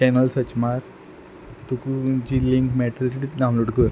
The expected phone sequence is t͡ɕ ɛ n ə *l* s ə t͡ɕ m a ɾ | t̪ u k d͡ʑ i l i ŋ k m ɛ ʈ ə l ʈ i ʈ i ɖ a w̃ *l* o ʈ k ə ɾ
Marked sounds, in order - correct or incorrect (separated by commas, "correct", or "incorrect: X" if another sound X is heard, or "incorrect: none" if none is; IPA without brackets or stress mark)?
correct, correct